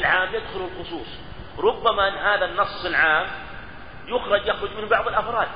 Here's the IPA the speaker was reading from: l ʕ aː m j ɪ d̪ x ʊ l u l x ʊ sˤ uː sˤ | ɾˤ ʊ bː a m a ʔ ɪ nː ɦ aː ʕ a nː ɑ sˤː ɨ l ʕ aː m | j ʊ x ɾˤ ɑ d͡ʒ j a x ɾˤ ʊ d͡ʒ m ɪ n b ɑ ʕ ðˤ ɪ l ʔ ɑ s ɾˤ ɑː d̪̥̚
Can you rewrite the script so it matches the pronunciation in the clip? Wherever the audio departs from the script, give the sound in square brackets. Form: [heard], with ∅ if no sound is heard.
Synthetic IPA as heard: l ʕ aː m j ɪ d̪ x ʊ l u l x ʊ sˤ uː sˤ | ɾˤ ʊ bː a m a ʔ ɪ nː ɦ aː [ð] a nː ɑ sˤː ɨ l ʕ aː m | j ʊ x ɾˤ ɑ d͡ʒ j a x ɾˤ ʊ d͡ʒ m ɪ n b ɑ ʕ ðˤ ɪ l ʔ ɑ [f] ɾˤ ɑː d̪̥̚